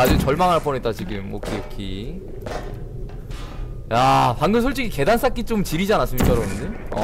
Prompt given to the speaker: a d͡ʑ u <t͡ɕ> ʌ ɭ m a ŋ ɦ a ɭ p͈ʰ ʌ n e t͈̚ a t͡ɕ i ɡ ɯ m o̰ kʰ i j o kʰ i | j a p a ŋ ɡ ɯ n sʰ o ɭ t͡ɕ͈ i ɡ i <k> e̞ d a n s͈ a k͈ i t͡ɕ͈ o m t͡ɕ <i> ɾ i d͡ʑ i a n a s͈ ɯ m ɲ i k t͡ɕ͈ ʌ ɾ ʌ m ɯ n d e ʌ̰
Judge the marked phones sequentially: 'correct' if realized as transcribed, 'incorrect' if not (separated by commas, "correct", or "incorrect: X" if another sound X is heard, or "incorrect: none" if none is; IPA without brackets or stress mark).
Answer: correct, correct, correct